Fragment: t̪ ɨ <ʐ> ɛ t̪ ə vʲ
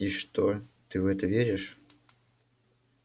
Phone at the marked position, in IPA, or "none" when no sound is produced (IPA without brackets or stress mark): v